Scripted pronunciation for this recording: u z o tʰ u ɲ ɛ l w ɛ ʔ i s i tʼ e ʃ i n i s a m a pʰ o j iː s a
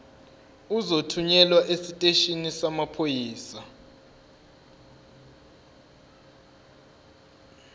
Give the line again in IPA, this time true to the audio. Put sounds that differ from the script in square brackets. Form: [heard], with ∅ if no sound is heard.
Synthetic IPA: u z o tʰ u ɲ ɛ l w [a] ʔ [e] s i tʼ e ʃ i n i s a m a pʰ o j iː s a